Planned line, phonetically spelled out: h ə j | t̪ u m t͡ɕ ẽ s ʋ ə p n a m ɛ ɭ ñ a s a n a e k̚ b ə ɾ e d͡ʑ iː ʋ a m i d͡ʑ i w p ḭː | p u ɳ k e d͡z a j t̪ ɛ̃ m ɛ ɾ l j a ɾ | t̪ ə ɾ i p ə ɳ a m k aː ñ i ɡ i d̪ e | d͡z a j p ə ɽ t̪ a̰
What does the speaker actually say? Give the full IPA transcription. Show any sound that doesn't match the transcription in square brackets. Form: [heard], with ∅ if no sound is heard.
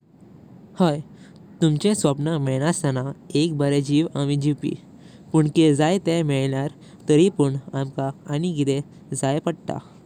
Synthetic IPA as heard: h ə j | t̪ u m t͡ɕ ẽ s ʋ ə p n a m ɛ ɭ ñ a s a n a e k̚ b ə ɾ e d͡ʑ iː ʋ a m i d͡ʑ i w p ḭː | p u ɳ k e d͡z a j t̪ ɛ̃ m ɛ [ɭ] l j a ɾ | t̪ ə ɾ i p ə ɳ a m k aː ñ i ɡ i d̪ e | d͡z a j p ə ɽ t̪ a̰